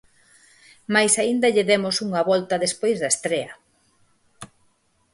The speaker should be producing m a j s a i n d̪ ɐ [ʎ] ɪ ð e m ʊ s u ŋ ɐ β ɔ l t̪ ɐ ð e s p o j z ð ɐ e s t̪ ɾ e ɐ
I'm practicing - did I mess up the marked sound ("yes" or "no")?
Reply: no